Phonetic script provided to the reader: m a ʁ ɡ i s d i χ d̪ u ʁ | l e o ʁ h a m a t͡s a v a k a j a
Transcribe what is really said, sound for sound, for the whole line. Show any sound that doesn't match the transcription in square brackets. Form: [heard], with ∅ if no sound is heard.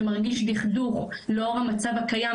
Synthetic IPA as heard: m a ʁ ɡ i [ʃ] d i χ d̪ u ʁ | l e o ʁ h a m a t͡s a v a k a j a